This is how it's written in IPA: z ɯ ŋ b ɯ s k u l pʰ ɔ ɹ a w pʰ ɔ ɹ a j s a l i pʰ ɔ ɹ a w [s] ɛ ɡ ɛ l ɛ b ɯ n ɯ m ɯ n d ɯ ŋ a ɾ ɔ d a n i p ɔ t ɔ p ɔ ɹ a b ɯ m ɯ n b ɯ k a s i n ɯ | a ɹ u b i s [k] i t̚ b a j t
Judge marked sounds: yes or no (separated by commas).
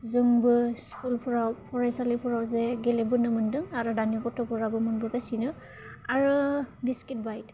no, yes